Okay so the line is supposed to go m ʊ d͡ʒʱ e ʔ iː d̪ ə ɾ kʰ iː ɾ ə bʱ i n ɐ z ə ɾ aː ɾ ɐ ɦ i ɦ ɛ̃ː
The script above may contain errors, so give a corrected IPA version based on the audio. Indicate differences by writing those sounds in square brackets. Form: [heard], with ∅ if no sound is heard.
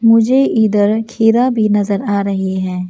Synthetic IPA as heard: m ʊ d͡ʒʱ e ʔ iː d̪ ə ɾ kʰ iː ɾ [a] bʱ i n ɐ z ə ɾ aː ɾ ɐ ɦ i ɦ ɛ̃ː